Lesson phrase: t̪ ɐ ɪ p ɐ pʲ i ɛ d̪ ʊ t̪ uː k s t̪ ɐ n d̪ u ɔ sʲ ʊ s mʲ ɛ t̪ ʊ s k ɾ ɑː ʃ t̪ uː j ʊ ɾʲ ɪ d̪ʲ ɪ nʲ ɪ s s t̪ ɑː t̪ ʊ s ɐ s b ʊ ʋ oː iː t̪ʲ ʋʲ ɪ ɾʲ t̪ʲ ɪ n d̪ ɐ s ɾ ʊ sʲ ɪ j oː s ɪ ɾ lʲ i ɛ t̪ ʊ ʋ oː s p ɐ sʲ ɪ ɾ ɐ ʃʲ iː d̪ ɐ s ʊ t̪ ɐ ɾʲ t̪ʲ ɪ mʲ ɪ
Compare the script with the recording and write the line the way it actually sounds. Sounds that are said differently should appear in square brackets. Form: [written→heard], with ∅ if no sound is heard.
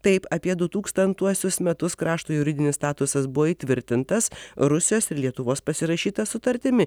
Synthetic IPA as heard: t̪ ɐ ɪ p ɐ pʲ i ɛ d̪ ʊ t̪ uː k s t̪ ɐ n [d̪→t̪] u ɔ sʲ ʊ s mʲ ɛ t̪ ʊ s k ɾ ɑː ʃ t̪ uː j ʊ ɾʲ ɪ d̪ʲ ɪ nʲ ɪ s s t̪ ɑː t̪ ʊ s ɐ s b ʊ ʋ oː iː t̪ʲ ʋʲ ɪ ɾʲ t̪ʲ ɪ n [d̪→t̪] ɐ s ɾ ʊ sʲ ɪ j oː s ɪ ɾ lʲ i ɛ t̪ ʊ ʋ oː s p ɐ sʲ ɪ ɾ ɐ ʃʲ iː [d̪→t̪] ɐ s ʊ t̪ ɐ ɾʲ t̪ʲ ɪ mʲ ɪ